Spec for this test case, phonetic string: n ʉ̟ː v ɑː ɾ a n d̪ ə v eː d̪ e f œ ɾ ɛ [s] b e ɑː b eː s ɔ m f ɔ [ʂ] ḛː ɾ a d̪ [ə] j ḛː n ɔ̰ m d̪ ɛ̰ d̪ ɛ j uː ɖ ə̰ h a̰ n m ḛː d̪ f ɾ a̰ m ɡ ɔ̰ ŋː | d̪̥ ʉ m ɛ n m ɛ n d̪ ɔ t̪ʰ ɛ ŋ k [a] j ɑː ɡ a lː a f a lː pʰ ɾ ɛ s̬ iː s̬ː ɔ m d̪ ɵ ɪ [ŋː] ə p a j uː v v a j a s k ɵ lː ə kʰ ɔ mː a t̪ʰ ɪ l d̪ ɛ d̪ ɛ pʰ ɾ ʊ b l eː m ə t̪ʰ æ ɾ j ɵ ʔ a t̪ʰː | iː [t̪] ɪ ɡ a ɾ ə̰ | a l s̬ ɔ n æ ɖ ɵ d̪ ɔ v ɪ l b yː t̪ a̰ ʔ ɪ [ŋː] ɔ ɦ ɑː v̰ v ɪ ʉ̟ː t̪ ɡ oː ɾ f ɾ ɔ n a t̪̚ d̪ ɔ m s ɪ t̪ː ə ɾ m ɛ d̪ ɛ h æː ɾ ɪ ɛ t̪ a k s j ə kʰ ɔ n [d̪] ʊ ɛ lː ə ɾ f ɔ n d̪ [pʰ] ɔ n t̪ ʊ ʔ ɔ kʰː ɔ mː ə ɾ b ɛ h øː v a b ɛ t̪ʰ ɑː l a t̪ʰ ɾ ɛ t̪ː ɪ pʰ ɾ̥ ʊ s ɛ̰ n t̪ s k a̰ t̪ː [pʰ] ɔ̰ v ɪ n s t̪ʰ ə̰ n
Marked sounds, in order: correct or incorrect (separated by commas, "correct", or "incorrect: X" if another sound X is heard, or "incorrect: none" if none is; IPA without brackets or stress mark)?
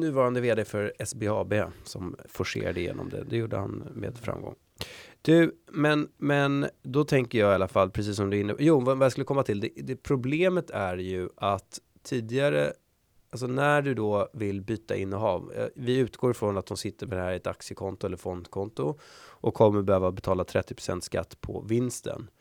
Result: correct, correct, correct, incorrect: ə, incorrect: nː, incorrect: d̪, incorrect: nː, incorrect: t̪, incorrect: kʰ, correct